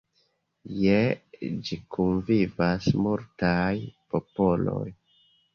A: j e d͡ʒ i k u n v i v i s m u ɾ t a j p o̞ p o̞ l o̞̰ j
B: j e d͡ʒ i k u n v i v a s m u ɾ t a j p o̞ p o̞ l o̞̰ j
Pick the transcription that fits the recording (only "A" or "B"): B